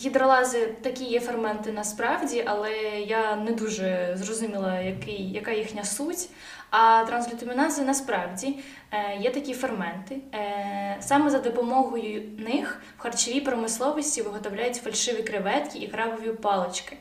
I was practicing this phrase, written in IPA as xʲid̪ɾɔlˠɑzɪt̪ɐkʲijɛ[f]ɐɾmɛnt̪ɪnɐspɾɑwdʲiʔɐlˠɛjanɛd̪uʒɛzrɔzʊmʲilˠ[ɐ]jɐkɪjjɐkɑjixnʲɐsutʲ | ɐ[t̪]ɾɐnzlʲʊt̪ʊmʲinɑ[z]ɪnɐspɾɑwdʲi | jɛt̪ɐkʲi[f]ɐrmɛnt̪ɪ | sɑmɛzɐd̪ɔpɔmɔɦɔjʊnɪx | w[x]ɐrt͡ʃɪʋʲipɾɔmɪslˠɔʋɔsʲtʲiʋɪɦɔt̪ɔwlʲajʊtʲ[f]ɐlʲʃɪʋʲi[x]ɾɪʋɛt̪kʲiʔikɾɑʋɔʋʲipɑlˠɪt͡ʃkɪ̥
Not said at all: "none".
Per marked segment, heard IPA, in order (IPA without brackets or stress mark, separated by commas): f, ɐ, t̪, z, f, x, f, k